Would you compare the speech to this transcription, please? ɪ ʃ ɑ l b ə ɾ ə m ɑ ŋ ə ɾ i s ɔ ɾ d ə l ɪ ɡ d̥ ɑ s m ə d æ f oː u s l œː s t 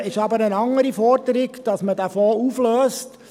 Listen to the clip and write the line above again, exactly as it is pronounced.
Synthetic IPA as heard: ɪ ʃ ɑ b ə ɾ ə n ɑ ŋ ə ɾ i f ɔ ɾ d ə ɾ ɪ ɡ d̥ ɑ s m ə d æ f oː u f l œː s t